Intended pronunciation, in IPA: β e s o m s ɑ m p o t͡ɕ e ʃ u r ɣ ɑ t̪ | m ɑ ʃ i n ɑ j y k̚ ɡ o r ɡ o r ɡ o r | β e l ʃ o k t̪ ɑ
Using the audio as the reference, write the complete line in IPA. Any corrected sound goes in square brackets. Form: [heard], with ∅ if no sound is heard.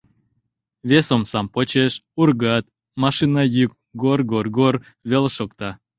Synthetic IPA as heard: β e s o m s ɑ m p o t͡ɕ e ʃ u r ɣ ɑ t̪ | m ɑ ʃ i n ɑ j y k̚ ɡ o r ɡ o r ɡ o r | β e l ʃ o k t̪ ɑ